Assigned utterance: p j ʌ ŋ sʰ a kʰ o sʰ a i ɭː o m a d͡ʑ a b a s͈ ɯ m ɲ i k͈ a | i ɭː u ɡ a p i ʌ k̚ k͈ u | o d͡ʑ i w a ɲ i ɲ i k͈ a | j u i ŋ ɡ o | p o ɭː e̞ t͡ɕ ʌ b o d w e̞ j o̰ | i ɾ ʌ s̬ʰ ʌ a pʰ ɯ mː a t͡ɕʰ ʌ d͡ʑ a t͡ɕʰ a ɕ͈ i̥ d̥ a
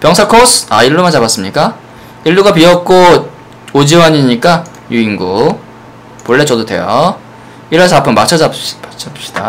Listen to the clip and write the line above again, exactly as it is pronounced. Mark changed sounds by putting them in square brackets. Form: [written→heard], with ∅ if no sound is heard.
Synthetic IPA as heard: p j ʌ ŋ sʰ a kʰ o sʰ a i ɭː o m a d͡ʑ a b a s͈ ɯ m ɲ i k͈ a | i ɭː u ɡ a p i ʌ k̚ k͈ [u→o] | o d͡ʑ i w a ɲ i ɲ i k͈ a | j u i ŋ ɡ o | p o ɭː e̞ t͡ɕ ʌ [b→d] o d w e̞ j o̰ | i ɾ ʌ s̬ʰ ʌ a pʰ ɯ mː a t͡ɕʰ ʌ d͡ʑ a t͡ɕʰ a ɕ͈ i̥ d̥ a

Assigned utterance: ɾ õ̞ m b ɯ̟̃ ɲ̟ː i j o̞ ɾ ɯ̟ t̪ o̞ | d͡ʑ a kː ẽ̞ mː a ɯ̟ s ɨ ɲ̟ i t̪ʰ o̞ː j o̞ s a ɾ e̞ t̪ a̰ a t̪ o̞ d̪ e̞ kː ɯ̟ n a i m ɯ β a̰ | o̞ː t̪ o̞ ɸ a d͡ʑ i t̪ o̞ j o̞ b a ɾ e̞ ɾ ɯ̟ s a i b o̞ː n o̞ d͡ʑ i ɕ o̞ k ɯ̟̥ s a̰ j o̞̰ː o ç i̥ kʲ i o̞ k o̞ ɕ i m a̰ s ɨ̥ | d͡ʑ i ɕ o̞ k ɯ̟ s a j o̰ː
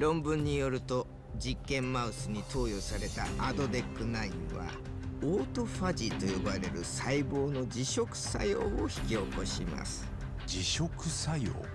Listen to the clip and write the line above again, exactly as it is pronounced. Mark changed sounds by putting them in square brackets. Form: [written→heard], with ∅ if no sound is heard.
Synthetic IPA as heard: ɾ õ̞ m b ɯ̟̃ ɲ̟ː i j o̞ ɾ ɯ̟ t̪ o̞ | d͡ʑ [a→i] kː ẽ̞ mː a ɯ̟ s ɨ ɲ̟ i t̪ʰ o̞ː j o̞ s a ɾ e̞ t̪ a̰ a [t̪→d̪] o̞ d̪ e̞ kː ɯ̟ n a i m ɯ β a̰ | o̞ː t̪ o̞ ɸ a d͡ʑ i t̪ o̞ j o̞ b a ɾ e̞ ɾ ɯ̟ s a i b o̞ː n o̞ d͡ʑ i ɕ o̞ k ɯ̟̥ s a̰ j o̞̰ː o ç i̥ kʲ i o̞ k o̞ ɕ i m a̰ s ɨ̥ | d͡ʑ i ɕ o̞ k ɯ̟ s a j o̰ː

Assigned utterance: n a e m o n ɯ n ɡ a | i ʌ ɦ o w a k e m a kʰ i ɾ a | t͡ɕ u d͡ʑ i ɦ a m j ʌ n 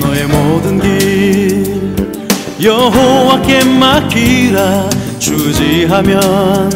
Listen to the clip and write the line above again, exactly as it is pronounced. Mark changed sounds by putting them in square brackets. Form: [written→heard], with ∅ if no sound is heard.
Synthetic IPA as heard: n [a→ʌ] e m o [n→d] ɯ n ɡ [a→i] | [i→j] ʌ ɦ o w a k e m a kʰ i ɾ a | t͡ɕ u d͡ʑ i ɦ a m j ʌ n

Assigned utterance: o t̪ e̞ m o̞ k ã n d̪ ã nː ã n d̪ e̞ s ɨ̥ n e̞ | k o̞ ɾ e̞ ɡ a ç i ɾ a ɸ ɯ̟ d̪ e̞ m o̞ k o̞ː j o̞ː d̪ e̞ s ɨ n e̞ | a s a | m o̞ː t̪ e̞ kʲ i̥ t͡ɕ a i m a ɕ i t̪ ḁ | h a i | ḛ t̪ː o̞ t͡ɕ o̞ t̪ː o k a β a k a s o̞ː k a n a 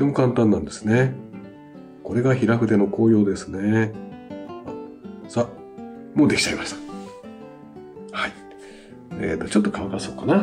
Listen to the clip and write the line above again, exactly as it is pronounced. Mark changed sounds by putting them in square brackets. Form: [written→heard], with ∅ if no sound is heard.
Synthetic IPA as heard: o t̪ e̞ m o̞ k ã n [d̪→t̪] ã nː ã n d̪ e̞ s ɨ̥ n e̞ | k o̞ ɾ e̞ ɡ a ç i ɾ a ɸ ɯ̟ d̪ e̞ [m→n] o̞ k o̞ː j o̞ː d̪ e̞ s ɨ n e̞ | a s a | m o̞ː [t̪→d̪] e̞ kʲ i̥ t͡ɕ a i m a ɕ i t̪ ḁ | h a i | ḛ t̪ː o̞ t͡ɕ o̞ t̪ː o k a β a k a s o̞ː k a n a

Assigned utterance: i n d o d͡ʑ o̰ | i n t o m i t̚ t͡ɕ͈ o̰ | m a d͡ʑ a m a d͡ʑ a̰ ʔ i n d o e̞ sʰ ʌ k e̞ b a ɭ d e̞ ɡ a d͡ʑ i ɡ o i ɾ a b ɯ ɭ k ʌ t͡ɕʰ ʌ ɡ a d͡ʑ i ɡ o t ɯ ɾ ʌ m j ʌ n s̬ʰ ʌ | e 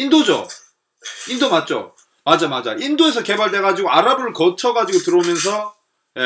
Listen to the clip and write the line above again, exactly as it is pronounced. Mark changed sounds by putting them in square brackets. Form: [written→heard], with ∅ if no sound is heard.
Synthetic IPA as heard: i n d o d͡ʑ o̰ | i n [t→d] o m [i→a] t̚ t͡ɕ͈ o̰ | m a d͡ʑ a m a d͡ʑ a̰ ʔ i n d o e̞ sʰ ʌ k e̞ b a ɭ d e̞ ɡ a d͡ʑ i ɡ o [i→a] ɾ a b ɯ ɭ k ʌ t͡ɕʰ ʌ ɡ a d͡ʑ i ɡ o t ɯ ɾ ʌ m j ʌ n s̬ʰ ʌ | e

